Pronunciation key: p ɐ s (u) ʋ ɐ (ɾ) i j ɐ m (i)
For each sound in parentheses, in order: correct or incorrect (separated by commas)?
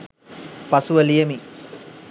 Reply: correct, incorrect, correct